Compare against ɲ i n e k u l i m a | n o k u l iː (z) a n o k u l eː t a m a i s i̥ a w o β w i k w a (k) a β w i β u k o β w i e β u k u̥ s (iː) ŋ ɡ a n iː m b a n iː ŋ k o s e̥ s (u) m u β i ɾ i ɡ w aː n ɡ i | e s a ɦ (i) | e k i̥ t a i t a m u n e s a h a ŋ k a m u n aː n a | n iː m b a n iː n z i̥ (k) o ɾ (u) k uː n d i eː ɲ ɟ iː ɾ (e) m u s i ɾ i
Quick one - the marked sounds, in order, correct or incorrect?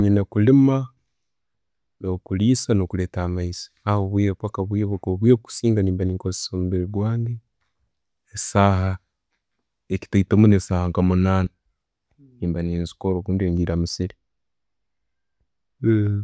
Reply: incorrect: s, correct, correct, incorrect: o, incorrect: a, correct, incorrect: o, incorrect: a

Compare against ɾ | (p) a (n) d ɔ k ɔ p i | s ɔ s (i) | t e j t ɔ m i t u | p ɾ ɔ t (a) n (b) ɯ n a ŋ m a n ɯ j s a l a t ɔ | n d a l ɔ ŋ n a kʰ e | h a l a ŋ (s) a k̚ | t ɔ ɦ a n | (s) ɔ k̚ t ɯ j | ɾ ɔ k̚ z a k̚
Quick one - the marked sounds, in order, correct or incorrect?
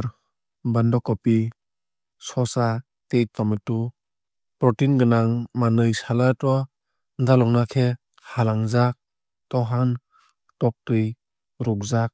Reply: incorrect: b, correct, incorrect: a, incorrect: i, incorrect: ɡ, incorrect: z, incorrect: t

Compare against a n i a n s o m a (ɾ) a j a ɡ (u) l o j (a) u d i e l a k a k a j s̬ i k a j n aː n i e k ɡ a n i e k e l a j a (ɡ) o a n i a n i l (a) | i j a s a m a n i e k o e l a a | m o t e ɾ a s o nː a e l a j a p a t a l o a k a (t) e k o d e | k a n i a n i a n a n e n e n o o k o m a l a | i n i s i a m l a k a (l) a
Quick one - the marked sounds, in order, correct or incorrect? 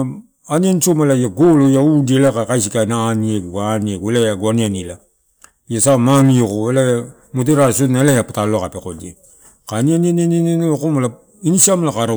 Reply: incorrect: l, incorrect: o, correct, correct, correct, incorrect: p, incorrect: ɾ

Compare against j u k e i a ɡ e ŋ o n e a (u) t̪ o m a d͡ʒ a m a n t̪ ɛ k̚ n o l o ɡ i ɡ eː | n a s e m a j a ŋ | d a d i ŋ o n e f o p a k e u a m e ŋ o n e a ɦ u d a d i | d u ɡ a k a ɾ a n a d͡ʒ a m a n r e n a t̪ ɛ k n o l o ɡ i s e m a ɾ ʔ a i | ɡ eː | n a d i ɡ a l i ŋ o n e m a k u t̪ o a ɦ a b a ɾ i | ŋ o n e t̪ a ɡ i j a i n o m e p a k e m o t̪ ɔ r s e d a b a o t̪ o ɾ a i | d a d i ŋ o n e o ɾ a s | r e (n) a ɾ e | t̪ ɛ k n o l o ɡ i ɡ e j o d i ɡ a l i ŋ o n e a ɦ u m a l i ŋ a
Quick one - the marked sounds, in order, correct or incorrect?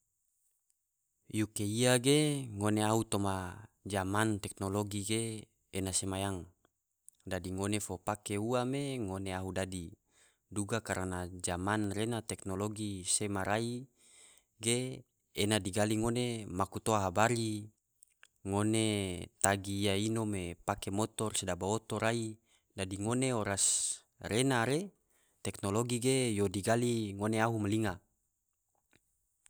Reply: correct, correct

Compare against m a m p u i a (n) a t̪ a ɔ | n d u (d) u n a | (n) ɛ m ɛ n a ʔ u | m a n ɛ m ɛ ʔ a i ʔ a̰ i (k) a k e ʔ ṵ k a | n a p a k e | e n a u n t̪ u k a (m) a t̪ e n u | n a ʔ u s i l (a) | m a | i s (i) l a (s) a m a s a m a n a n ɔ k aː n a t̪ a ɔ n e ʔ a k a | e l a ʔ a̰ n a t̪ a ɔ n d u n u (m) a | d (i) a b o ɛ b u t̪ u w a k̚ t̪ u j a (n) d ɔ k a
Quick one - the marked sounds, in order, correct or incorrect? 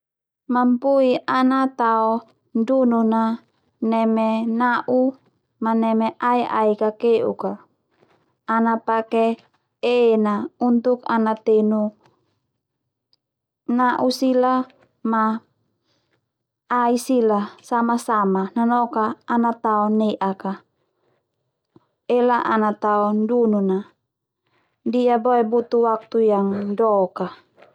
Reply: correct, incorrect: n, correct, correct, incorrect: n, correct, correct, correct, incorrect: n, correct, incorrect: ŋ

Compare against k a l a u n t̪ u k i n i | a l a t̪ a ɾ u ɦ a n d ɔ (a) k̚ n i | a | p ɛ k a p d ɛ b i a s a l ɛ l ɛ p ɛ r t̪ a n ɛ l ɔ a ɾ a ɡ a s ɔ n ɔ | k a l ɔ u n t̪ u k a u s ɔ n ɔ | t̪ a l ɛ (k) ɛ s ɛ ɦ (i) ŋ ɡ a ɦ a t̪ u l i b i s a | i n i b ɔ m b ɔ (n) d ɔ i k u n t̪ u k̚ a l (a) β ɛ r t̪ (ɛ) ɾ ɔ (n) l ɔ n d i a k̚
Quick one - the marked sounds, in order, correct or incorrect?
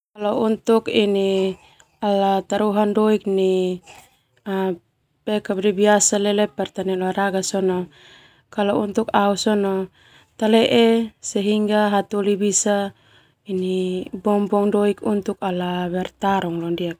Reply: incorrect: i, incorrect: ʔ, correct, incorrect: ŋ, correct, incorrect: a, incorrect: ŋ

